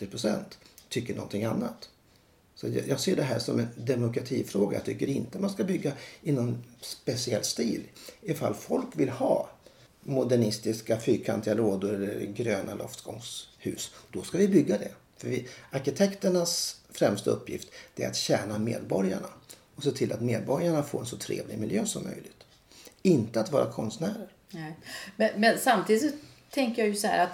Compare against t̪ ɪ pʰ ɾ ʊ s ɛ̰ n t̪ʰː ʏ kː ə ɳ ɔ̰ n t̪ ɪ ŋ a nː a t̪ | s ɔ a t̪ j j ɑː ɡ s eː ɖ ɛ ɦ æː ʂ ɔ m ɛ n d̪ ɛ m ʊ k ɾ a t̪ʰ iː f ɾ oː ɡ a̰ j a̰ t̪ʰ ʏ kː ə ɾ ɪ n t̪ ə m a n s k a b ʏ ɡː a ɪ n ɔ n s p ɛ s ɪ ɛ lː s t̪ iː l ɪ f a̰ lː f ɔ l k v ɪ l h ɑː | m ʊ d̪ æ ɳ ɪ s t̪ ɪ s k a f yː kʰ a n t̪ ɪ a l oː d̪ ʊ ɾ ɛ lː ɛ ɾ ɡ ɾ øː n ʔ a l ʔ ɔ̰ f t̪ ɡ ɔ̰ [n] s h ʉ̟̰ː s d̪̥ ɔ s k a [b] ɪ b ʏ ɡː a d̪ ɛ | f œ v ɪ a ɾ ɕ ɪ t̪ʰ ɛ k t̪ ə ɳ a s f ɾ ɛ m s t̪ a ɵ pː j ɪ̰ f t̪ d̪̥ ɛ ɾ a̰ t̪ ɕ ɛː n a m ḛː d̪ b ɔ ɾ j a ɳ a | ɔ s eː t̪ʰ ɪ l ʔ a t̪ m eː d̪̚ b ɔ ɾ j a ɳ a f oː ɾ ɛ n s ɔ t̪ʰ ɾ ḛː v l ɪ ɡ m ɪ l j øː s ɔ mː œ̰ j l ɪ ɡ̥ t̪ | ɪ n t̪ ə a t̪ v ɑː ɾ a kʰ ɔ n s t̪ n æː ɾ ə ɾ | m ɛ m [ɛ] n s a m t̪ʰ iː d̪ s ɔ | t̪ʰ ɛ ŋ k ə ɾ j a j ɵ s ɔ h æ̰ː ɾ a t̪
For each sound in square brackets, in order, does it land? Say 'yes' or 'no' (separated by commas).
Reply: no, no, yes